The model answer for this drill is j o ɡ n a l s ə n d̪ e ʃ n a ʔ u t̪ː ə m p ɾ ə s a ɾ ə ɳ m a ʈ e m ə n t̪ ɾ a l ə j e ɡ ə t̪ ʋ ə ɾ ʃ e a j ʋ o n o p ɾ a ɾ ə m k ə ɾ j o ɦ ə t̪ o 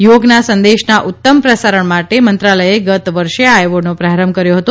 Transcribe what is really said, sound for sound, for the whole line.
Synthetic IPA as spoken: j o ɡ n a s ə n d̪ e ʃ n a ʔ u t̪ː ə m p ɾ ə s a ɾ ə ɳ m a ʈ e m ə n t̪ ɾ a l ə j e ɡ ə t̪ ʋ ə ɾ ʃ e a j ʋ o n o p ɾ a ɾ ə m k ə ɾ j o ɦ ə t̪ o